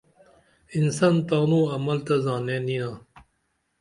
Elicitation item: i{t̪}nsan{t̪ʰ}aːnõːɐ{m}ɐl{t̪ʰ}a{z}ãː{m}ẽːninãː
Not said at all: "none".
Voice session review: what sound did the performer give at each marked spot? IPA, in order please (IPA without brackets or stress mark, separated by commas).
none, t̪, m, t̪, z, n